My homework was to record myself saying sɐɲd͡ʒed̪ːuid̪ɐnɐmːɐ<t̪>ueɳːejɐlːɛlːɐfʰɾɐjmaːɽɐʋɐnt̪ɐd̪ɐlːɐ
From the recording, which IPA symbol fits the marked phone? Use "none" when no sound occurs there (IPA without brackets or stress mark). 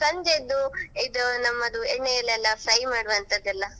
d̪